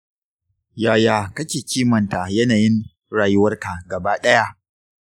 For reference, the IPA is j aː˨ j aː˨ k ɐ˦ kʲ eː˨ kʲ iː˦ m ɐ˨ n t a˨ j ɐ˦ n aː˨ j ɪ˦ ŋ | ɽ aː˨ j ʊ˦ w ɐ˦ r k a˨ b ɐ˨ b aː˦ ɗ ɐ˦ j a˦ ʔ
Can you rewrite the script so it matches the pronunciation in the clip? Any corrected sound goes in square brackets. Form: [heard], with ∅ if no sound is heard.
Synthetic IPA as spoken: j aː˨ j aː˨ k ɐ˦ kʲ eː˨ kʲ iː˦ m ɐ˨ n t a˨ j ɐ˦ n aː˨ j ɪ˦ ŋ | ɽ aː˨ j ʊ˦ w ɐ˦ r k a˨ [ɡ] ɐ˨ b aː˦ ɗ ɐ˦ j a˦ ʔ